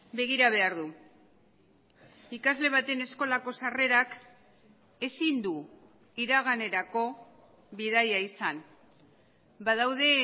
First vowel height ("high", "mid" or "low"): mid